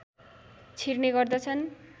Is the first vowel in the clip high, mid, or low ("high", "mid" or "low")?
high